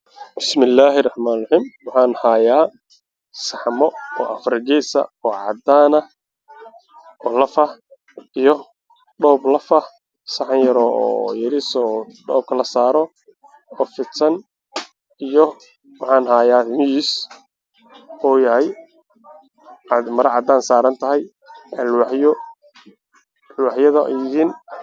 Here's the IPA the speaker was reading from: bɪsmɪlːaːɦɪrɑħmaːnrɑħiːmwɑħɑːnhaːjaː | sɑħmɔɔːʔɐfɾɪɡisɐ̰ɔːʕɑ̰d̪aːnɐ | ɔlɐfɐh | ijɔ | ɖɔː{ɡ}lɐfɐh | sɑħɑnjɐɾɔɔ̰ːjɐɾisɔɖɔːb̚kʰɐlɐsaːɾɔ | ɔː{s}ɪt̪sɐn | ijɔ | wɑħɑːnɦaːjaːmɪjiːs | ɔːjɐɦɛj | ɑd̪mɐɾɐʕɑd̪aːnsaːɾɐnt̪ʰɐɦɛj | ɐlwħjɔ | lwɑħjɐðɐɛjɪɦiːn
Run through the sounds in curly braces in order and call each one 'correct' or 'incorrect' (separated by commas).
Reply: incorrect, incorrect